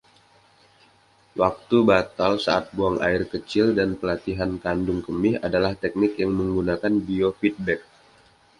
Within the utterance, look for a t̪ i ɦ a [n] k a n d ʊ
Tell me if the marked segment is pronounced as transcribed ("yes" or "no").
yes